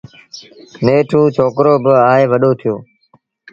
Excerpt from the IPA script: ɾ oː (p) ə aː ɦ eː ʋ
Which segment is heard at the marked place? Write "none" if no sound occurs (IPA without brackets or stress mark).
b